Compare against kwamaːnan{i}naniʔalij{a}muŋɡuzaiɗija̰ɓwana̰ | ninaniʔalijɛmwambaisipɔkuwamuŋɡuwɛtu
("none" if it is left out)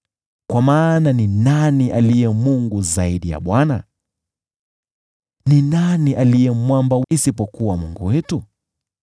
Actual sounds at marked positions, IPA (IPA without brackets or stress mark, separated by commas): i, ɛ